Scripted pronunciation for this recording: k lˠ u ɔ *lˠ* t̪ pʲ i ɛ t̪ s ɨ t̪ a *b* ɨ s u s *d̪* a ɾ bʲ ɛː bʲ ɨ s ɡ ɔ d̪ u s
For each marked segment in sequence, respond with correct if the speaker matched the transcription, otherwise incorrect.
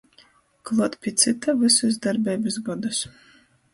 incorrect, incorrect, correct

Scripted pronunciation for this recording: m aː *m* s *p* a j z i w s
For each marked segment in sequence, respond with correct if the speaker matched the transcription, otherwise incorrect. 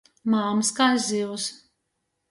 correct, incorrect

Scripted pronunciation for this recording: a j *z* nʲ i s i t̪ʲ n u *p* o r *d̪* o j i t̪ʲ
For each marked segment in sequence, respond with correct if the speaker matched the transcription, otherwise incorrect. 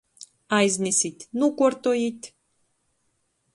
correct, incorrect, incorrect

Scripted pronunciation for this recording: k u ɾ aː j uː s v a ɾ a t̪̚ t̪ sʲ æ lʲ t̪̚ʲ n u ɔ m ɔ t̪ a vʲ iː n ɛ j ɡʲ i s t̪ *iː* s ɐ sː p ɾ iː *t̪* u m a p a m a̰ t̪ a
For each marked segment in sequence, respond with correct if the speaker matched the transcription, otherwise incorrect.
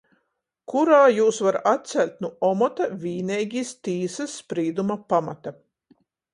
correct, incorrect

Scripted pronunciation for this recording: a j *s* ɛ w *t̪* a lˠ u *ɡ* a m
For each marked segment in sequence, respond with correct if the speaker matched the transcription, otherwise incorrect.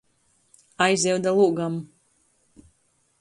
incorrect, incorrect, correct

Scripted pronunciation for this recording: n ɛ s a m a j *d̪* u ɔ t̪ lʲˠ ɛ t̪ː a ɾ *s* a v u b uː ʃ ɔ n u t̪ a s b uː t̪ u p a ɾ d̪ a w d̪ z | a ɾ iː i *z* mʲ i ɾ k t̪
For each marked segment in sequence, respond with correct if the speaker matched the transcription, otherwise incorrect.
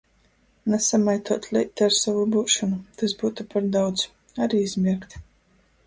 incorrect, correct, correct

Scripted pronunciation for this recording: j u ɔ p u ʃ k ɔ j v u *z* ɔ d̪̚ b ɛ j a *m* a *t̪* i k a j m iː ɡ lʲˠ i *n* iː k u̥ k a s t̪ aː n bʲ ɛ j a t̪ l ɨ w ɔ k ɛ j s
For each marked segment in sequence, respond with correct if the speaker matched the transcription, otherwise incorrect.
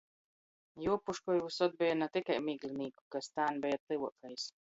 incorrect, incorrect, correct, correct

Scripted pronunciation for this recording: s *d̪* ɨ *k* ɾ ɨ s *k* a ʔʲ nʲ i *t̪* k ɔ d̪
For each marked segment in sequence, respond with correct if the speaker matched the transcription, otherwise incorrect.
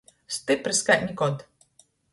incorrect, incorrect, correct, incorrect

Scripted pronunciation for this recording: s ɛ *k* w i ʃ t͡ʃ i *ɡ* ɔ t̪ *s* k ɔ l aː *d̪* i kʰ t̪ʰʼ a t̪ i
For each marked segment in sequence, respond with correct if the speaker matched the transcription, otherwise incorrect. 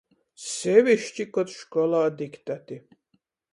incorrect, incorrect, incorrect, correct

